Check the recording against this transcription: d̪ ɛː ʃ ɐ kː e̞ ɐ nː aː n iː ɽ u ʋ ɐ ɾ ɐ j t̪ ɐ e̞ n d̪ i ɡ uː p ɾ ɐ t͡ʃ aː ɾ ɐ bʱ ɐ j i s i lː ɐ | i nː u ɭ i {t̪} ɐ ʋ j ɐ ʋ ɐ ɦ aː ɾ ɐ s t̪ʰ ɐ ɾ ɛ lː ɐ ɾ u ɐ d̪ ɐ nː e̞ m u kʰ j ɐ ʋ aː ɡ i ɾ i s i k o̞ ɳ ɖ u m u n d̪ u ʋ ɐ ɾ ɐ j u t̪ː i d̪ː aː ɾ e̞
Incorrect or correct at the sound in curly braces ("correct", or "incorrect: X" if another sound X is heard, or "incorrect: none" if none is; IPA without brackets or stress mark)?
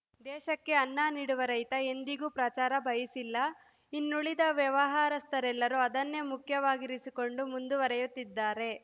incorrect: d̪